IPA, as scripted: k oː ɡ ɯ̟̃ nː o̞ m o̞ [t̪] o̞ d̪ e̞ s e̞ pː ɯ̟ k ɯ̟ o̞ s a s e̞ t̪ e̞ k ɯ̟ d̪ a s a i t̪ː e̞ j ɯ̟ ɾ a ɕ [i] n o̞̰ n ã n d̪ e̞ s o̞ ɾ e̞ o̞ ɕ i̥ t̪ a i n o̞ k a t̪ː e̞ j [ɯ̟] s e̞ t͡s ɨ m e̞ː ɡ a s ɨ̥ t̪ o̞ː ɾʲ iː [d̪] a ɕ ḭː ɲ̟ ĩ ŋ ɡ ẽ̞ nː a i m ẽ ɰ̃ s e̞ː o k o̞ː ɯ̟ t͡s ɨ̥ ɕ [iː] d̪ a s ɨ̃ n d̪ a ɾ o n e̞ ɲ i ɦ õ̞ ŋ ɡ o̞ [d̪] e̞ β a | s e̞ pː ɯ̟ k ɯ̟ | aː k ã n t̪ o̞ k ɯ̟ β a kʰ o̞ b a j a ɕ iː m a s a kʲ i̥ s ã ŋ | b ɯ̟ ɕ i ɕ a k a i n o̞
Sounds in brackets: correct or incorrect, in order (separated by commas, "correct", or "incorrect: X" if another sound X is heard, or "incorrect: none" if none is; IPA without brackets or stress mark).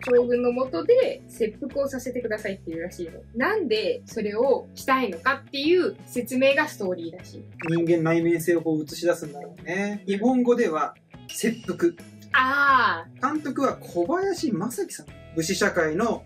correct, incorrect: iː, incorrect: ɯ̟ː, correct, incorrect: i, correct